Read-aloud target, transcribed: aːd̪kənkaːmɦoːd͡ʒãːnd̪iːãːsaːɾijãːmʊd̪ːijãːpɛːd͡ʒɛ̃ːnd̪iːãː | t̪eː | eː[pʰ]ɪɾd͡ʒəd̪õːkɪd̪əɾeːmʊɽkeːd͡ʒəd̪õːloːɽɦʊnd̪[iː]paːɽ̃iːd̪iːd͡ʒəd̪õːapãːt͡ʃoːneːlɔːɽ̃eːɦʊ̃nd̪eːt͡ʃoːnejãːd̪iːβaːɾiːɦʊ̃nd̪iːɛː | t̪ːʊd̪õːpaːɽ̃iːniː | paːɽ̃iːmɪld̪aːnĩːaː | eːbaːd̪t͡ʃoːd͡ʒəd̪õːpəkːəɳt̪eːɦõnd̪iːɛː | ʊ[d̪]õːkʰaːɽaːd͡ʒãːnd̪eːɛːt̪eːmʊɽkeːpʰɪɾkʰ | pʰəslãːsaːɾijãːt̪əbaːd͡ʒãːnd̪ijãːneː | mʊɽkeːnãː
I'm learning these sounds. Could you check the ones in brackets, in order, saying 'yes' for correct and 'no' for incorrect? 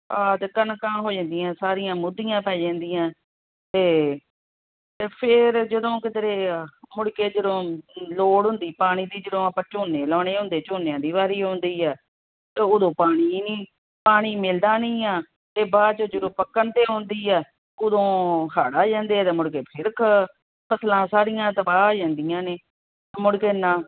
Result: yes, yes, yes

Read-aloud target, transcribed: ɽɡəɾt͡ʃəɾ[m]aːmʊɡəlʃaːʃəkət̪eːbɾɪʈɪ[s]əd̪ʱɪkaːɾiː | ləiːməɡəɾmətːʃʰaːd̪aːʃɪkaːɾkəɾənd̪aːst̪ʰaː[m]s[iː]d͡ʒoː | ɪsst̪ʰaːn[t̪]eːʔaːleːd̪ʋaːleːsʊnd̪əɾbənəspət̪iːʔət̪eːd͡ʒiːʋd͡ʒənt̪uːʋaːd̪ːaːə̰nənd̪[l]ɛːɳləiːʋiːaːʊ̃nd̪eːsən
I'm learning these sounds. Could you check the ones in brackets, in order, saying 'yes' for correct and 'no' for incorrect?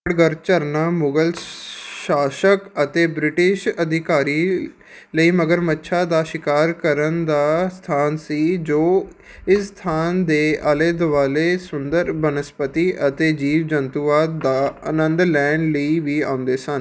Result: no, no, no, yes, no, yes

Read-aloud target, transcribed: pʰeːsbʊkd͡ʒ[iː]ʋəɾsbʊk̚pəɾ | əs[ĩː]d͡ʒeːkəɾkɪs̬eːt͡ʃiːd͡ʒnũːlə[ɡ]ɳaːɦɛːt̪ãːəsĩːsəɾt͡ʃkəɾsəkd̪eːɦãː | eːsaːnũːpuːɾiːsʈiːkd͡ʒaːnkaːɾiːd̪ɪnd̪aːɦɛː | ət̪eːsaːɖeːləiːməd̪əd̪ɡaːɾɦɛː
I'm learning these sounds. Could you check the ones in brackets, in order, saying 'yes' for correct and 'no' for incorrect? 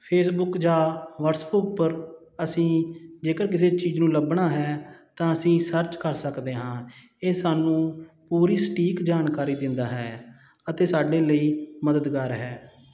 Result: no, yes, no

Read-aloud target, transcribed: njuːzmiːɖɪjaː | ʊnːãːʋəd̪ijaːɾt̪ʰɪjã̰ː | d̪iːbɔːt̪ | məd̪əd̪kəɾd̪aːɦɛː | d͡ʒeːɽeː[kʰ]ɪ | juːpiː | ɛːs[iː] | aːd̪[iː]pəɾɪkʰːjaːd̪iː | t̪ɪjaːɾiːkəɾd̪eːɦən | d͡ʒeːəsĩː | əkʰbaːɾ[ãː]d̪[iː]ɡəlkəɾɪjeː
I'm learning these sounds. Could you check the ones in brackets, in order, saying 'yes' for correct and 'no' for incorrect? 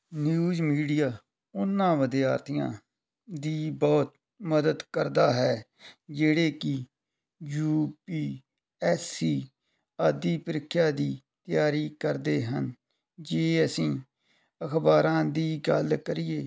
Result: no, yes, yes, yes, yes

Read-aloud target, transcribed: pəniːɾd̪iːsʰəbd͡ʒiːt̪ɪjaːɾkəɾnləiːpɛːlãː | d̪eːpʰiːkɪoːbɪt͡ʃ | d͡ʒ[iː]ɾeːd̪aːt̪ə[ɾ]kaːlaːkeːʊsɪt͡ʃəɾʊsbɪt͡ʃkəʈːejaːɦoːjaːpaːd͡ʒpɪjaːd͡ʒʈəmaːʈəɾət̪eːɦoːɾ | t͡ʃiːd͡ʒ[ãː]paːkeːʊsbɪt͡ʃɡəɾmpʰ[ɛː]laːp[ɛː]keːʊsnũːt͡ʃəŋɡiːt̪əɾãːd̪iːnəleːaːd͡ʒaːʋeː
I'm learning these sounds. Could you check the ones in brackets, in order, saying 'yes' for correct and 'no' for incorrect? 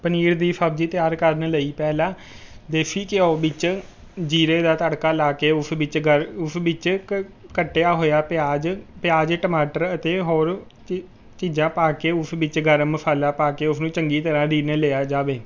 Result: yes, no, yes, no, no

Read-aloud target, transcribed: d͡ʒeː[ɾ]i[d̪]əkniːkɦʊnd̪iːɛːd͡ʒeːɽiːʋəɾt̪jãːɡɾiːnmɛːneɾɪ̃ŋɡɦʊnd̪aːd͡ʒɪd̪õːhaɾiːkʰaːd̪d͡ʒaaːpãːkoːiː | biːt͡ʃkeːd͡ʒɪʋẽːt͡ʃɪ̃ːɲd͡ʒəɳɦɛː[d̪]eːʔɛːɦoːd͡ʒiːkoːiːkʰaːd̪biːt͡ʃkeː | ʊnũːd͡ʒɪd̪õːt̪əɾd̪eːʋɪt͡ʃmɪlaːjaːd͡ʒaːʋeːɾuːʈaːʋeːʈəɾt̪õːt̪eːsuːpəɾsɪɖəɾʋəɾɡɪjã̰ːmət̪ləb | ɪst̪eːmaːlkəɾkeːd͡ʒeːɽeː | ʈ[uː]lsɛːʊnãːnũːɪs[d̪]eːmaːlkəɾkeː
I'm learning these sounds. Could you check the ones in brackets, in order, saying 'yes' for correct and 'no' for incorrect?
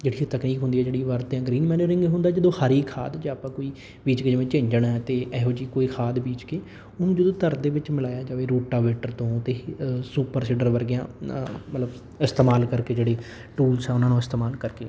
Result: no, no, no, yes, no

